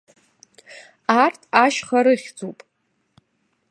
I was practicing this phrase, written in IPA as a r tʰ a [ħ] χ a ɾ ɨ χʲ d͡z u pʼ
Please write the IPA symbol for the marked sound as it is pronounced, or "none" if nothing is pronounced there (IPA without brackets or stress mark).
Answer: ʃ